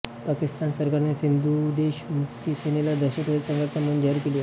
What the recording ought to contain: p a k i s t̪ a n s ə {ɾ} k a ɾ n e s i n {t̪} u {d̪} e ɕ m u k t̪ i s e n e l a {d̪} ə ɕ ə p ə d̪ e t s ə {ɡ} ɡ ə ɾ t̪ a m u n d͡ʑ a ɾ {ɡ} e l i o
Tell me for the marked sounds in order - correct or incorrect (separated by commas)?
correct, incorrect, correct, correct, incorrect, incorrect